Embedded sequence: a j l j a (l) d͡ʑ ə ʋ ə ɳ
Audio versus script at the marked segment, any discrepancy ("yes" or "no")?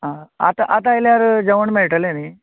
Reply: yes